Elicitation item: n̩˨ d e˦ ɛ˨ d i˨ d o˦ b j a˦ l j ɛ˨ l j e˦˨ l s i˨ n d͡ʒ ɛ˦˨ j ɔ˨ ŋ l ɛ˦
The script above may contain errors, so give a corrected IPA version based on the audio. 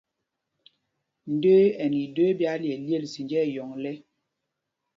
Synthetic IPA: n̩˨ d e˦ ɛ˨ n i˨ d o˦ b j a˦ l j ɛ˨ l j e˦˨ l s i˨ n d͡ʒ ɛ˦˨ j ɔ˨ ŋ l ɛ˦